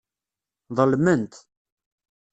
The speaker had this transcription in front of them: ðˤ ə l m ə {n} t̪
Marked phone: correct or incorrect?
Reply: correct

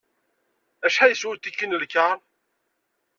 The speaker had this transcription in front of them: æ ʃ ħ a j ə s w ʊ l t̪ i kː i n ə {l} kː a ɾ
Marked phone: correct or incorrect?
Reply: correct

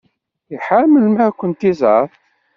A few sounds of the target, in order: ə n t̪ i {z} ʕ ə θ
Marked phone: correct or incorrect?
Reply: correct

